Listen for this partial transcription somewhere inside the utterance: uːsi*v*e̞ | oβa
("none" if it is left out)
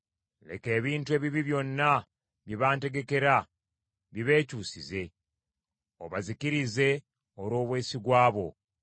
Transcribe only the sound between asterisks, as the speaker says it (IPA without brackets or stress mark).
z